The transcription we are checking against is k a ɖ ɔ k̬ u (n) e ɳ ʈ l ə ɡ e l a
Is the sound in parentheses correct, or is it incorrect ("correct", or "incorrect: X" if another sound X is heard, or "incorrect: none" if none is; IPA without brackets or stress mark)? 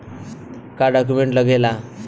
incorrect: m